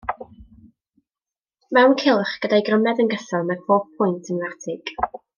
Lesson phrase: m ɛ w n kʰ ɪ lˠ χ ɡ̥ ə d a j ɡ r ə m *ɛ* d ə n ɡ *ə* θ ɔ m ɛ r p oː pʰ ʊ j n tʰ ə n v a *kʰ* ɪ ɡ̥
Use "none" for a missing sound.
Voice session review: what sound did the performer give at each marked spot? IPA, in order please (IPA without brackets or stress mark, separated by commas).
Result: ɛ, ə, tʰ